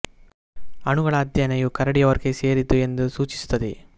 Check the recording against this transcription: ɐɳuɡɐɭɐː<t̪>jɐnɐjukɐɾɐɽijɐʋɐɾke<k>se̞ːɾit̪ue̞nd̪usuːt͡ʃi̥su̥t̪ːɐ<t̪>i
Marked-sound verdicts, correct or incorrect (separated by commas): incorrect, incorrect, incorrect